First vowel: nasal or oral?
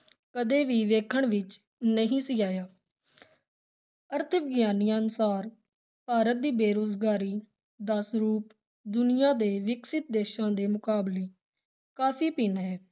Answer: oral